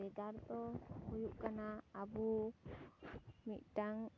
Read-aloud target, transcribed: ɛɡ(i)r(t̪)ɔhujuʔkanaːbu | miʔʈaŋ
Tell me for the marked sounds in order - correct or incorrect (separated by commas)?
incorrect, correct